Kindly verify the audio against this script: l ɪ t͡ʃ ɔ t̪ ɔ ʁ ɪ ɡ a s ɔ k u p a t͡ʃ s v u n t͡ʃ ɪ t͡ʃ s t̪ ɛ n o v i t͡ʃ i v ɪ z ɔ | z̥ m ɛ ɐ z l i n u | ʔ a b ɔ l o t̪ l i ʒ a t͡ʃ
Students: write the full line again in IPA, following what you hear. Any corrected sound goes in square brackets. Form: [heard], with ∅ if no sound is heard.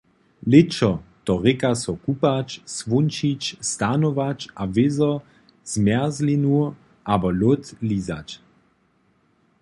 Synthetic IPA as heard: l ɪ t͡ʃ ɔ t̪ ɔ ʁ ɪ [k] a s ɔ k u p a t͡ʃ s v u n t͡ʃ [i] t͡ʃ s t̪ [a] n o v [a] t͡ʃ [a] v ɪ z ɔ | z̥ m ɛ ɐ z l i n u | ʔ a b ɔ l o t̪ l i [z] a t͡ʃ